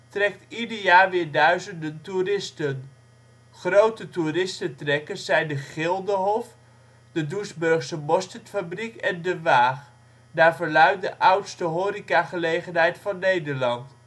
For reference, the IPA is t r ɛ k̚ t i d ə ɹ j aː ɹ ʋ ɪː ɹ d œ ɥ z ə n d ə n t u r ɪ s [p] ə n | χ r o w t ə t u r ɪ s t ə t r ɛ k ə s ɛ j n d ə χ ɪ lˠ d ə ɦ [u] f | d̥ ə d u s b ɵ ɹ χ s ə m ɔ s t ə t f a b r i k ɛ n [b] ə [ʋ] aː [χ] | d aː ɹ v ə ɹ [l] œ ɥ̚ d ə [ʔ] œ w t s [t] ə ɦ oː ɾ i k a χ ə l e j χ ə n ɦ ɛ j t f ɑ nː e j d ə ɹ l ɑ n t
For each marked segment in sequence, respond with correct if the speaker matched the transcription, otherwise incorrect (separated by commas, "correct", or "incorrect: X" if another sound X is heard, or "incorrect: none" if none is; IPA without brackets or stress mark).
incorrect: t, incorrect: ɔ, incorrect: d, correct, correct, correct, correct, correct